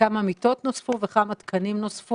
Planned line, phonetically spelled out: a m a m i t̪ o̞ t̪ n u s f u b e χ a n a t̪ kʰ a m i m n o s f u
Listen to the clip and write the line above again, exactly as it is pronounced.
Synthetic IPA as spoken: a m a m i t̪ o̞ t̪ n o s f u v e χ a m a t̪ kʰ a n i m n o s f u

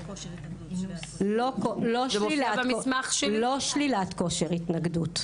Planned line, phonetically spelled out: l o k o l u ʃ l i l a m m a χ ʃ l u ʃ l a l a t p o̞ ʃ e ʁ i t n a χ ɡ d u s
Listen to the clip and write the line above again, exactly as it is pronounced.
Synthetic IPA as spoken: l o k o l o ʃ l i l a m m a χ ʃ l o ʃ l i l a t k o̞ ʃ e ʁ i t n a ɡ d u t

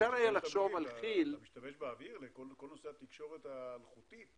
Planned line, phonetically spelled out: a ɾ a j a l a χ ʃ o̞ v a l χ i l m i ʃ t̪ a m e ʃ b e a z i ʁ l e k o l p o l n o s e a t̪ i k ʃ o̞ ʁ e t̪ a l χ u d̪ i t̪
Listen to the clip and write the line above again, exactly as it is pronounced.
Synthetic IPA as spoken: a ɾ a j a l a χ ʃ o̞ v a l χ i l m i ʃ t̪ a m e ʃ b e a v i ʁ l e k o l k o l n o s e a t̪ i k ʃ o̞ ʁ e t̪ a l χ u t̪ i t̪

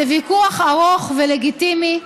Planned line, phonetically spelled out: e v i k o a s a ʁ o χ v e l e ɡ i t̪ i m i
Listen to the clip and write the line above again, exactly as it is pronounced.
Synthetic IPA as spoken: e v i k u a χ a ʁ o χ v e l e ɡ i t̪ i m i

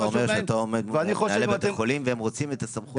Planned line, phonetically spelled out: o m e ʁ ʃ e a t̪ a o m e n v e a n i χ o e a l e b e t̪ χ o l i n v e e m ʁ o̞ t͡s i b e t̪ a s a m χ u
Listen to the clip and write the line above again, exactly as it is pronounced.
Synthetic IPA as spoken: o m e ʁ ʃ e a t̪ a o m e d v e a n i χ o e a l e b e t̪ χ o l i m v e e m ʁ o̞ t͡s i m e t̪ a s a m χ u

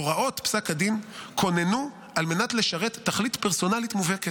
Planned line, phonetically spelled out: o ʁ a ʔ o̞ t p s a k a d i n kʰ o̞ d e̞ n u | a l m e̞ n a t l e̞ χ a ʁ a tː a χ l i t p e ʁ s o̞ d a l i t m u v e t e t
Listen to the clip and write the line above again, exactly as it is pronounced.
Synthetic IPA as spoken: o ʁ a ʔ o̞ t p s a k a d i n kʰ o̞ n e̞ n u | a l m e̞ n a t l e̞ ʃ a ʁ e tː a χ l i t p e ʁ s o̞ n a l i t m u v e k e t

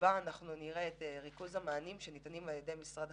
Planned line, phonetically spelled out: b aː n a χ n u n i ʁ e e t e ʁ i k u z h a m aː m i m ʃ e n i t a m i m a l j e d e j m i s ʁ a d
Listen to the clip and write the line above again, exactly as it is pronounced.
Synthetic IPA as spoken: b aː n a χ n u n i ʁ e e t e ʁ i k u z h a m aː n i m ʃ e n i t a n i m a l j e d e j m i s ʁ a d

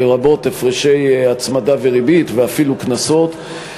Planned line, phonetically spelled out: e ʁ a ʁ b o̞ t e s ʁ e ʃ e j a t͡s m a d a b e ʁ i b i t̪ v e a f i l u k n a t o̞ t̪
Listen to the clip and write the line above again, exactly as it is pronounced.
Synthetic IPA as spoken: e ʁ a b o̞ t e f ʁ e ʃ e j a t͡s m a d a v e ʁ i b i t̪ v e a f i l u k n a s o̞ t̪

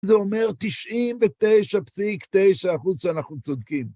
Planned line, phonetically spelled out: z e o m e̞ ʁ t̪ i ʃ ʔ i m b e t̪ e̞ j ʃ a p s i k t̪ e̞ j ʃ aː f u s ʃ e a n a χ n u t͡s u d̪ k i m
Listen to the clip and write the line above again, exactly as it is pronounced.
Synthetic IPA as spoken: z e o m e̞ ʁ t̪ i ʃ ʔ i m v e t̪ e̞ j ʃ a p s i k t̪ e̞ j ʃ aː χ u z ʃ e a n a χ n u t͡s o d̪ k i m

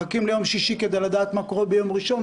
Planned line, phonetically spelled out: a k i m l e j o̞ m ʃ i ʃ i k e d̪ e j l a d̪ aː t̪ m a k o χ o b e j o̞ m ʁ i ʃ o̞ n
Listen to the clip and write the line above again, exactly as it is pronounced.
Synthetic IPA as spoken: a k i m l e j o̞ m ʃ i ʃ i k e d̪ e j l a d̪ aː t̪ m a k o ʁ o b e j o̞ m ʁ i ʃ o̞ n

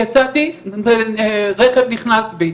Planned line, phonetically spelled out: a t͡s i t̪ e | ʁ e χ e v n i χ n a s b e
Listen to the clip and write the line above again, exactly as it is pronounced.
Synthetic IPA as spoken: a t͡s a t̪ i | ʁ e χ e v n i χ n a s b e

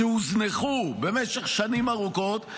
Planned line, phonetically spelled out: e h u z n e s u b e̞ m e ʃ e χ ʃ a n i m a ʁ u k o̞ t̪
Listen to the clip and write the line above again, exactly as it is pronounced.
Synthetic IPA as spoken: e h u z n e χ u b e̞ m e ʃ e χ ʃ a n i m a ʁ u k o̞ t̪

